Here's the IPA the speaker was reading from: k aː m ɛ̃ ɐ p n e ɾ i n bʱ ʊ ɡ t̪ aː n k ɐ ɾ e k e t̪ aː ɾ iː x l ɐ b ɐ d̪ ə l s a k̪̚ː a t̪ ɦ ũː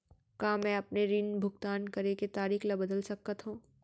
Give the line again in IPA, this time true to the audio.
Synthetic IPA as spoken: k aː m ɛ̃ ɐ p n e ɾ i n bʱ ʊ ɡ t̪ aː n k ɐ ɾ e k e t̪ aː ɾ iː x l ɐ b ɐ d̪ ə l s ɐ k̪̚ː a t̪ ɦ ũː